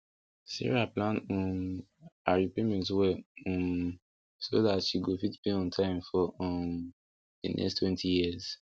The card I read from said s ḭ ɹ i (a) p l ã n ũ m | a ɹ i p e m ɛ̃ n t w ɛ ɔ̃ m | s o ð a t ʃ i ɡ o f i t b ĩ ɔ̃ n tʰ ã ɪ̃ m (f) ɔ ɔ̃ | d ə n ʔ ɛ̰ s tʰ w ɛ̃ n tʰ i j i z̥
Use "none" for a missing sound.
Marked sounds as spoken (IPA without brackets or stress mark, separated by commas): a, f